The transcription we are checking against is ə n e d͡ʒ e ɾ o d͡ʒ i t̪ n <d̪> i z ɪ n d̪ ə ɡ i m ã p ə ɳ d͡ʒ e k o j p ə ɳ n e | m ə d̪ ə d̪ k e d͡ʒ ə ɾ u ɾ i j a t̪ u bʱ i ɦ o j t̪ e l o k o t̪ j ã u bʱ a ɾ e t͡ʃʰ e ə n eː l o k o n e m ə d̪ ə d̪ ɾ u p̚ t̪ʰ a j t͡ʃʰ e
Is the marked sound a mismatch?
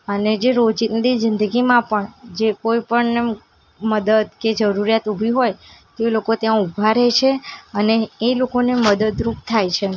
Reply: no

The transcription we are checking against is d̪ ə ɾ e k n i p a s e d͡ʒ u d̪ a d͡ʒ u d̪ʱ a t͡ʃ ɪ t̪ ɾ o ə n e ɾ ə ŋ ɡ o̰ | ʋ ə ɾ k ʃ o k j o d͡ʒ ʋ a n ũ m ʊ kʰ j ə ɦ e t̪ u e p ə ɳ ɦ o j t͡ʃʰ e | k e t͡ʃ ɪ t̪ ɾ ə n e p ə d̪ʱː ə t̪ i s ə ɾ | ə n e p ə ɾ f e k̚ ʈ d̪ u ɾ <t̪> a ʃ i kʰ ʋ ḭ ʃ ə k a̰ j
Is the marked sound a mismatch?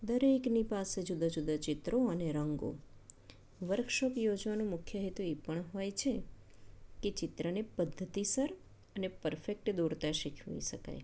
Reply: no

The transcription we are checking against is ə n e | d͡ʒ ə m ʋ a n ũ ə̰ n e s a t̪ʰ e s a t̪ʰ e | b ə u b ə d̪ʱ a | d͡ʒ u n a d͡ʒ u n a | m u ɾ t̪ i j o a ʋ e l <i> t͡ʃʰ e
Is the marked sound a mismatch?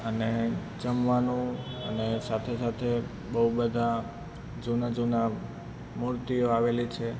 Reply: no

